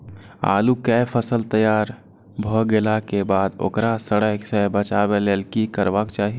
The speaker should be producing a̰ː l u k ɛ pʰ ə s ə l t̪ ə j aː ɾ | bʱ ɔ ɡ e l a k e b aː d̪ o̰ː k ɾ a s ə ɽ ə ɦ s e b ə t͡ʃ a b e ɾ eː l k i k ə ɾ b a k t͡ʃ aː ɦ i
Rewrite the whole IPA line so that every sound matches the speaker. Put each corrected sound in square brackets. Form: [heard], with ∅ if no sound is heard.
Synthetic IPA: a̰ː l u k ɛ pʰ ə s ə l t̪ ə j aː ɾ | bʱ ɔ ɡ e l a k e b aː d̪ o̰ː k ɾ a s ə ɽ ə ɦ s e b ə t͡ʃ a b e [l] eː l k i k ə ɾ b a k t͡ʃ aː ɦ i